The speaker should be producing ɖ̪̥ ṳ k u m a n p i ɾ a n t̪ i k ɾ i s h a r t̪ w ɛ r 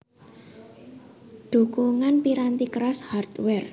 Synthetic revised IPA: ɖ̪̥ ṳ k u ŋ a n p i ɾ a n t̪ i k ɾ a s h a r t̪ w ɛ r